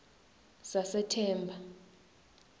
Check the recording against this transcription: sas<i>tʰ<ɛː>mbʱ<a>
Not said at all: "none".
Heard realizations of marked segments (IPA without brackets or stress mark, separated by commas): ɛ, ɛː, a